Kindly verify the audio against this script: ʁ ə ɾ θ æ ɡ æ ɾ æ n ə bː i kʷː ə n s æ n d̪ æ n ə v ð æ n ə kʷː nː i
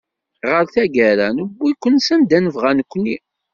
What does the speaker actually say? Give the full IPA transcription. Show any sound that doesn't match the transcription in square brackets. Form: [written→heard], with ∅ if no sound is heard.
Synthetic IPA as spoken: ʁ ə ɾ θ æ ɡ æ ɾ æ n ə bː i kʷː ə n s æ n d̪ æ n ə v [ð→ʁ] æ n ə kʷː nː i